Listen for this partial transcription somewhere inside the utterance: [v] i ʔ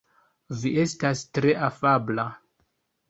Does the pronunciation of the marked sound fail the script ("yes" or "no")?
no